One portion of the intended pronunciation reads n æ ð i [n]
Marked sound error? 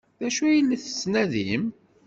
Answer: yes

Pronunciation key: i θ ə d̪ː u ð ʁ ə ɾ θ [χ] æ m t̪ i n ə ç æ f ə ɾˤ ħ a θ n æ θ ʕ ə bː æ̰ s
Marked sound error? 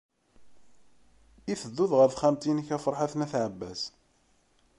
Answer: no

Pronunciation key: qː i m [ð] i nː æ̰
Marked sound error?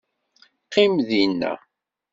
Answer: no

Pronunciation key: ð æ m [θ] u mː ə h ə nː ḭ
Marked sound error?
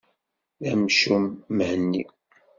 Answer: yes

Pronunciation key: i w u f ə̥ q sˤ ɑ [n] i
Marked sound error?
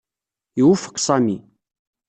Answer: yes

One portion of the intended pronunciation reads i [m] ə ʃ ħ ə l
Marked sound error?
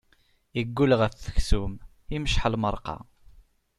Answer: no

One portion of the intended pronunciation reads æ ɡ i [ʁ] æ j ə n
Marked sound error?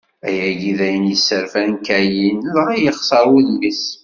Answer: yes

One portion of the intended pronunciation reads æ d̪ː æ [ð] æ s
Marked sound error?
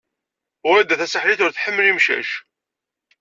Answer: yes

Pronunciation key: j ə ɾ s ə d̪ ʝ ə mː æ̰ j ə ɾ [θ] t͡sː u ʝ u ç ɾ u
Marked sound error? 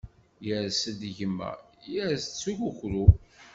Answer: yes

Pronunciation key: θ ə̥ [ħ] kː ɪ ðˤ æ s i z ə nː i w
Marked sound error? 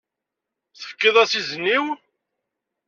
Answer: yes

